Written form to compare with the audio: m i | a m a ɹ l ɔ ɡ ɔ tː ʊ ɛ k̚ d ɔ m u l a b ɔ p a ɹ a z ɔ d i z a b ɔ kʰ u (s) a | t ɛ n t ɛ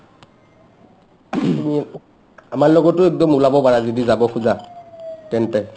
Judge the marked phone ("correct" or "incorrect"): incorrect